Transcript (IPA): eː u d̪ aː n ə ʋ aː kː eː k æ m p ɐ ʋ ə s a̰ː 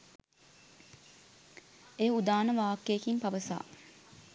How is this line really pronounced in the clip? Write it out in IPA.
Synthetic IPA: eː u d̪ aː n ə ʋ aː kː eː k i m p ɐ ʋ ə s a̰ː